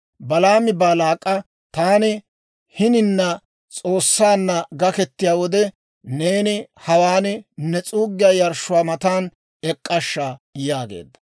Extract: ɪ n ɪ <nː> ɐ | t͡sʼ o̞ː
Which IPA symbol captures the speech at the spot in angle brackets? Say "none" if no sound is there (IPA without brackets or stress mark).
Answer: nː